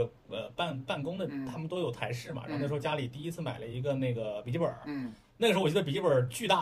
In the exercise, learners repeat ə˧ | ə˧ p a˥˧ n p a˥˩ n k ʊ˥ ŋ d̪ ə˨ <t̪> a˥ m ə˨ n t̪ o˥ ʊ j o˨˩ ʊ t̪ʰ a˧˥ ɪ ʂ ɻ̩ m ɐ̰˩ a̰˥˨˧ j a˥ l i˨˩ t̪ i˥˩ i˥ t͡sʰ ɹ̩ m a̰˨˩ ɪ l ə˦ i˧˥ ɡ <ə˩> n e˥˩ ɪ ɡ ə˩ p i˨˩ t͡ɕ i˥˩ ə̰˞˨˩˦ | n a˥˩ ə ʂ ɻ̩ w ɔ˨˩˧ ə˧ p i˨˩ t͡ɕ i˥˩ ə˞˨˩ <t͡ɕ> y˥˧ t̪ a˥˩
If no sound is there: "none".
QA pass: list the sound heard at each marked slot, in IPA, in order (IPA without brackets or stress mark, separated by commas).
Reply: t̪ʰ, ə˧, t͡ɕ